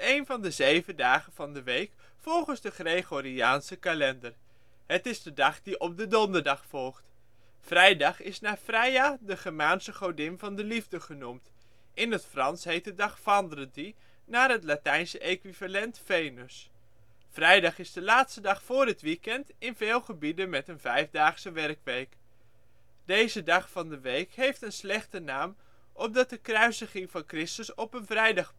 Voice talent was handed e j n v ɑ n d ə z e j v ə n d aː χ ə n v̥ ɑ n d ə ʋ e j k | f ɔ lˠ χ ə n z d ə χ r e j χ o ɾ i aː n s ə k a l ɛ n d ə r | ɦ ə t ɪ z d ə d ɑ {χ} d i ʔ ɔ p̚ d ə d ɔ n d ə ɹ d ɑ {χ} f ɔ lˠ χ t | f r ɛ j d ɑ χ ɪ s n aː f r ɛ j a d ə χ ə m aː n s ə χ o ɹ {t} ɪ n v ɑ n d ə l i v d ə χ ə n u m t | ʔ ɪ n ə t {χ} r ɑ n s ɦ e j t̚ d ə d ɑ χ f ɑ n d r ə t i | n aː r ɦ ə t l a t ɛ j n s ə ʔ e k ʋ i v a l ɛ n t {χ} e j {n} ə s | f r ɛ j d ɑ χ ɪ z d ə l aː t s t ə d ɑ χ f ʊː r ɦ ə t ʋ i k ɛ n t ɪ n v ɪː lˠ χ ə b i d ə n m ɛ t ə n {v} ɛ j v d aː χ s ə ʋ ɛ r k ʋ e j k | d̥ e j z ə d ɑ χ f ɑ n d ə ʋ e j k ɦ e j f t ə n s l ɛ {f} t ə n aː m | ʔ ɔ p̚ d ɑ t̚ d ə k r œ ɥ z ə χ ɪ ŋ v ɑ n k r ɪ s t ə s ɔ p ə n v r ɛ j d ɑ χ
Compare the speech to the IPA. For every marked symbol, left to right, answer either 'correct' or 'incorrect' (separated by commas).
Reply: correct, correct, incorrect, incorrect, incorrect, correct, correct, incorrect